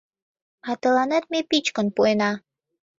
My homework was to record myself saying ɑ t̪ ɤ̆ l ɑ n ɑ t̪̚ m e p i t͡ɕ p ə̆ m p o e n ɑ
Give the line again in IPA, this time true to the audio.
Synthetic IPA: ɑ t̪ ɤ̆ l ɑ n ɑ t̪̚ m e p i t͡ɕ k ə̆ n p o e n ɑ